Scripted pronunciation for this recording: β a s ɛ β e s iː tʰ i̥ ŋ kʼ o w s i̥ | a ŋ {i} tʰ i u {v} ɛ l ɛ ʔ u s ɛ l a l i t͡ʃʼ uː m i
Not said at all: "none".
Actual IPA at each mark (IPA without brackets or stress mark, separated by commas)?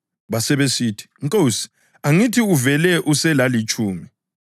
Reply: i, v